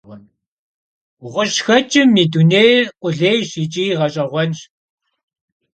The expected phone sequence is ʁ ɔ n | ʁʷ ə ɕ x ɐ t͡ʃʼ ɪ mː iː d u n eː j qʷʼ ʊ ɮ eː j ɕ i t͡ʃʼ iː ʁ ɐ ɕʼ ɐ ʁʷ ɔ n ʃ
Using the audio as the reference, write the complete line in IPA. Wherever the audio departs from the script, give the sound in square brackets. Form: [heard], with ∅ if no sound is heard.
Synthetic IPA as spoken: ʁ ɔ n | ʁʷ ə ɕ x ɐ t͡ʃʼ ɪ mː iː d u n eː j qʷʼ ʊ ɮ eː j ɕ i t͡ʃʼ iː ʁ ɐ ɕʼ ɐ ʁʷ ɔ n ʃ